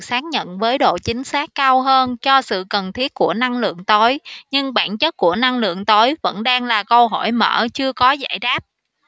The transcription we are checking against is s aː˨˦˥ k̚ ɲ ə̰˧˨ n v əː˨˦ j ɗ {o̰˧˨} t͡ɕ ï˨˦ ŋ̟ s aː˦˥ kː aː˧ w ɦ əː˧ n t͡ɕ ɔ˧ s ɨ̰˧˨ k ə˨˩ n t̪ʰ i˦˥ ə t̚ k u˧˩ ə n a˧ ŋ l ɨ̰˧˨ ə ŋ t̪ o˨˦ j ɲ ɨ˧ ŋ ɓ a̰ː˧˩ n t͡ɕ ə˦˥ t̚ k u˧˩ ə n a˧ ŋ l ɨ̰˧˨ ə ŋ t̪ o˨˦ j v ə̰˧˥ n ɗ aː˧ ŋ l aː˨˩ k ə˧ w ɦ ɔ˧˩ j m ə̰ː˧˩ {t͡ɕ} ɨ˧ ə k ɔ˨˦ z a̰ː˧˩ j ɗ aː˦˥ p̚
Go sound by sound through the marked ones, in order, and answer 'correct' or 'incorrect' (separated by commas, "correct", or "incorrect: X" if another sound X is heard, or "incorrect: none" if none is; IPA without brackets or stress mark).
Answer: correct, correct